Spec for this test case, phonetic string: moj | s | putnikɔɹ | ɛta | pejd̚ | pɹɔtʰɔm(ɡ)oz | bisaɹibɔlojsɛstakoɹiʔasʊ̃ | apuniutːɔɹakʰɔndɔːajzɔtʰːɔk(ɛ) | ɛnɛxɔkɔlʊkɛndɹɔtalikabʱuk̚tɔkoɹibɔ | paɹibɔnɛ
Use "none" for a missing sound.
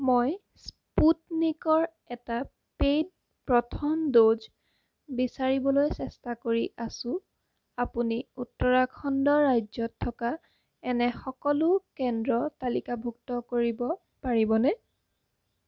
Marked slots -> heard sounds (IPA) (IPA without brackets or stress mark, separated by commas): d, a